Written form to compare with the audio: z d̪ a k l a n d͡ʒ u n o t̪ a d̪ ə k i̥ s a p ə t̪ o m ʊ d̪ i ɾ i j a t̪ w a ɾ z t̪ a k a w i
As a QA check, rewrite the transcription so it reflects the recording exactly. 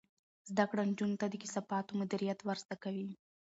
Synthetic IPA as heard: z d̪ a k ɽ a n d͡ʒ u n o t̪ a d̪ ə k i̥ s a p ɑ t̪ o m ʊ d̪ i ɾ i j a t̪ w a ɾ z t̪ a k a w i